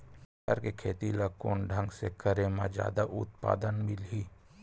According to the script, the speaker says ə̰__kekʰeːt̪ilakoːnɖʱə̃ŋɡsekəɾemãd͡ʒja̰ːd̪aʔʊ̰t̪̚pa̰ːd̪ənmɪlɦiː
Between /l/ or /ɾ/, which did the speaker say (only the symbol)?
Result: ɾ